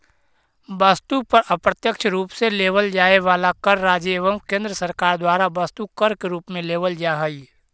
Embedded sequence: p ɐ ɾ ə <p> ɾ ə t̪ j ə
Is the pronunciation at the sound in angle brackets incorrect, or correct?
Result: correct